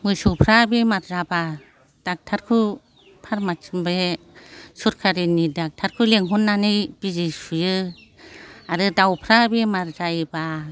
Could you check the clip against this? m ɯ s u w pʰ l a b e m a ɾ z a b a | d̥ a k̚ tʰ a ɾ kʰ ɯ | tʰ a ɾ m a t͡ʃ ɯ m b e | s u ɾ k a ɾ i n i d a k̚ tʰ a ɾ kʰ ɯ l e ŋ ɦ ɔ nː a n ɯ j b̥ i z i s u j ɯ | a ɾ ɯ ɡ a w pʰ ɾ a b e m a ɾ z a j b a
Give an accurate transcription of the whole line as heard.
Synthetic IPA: m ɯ s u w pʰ ɾ a b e m a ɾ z a b a | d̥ a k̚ tʰ a ɾ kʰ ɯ | pʰ a ɾ m a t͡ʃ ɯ m b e | s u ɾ kʰ a ɾ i n i d a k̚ tʰ a ɾ kʰ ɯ l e ŋ ɦ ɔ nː a n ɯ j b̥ i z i s u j ɯ | a ɾ ɯ d a w pʰ ɾ a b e m a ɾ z a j b a